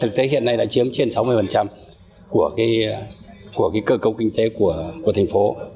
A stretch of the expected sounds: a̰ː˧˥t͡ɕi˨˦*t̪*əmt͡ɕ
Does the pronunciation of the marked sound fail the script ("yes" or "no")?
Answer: yes